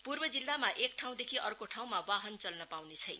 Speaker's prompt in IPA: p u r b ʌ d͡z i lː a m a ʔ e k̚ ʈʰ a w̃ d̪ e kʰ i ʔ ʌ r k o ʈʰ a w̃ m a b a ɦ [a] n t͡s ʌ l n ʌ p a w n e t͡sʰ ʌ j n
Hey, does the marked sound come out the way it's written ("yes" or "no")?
no